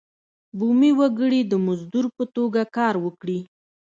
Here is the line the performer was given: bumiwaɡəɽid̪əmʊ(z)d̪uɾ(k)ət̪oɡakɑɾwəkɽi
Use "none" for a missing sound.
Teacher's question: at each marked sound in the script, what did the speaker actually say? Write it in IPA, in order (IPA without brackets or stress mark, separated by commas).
z, p